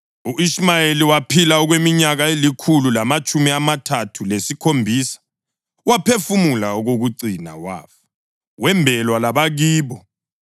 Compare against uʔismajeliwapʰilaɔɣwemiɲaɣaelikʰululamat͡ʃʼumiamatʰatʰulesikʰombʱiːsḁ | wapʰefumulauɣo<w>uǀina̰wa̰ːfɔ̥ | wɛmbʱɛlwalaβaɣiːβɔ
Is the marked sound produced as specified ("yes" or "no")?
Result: no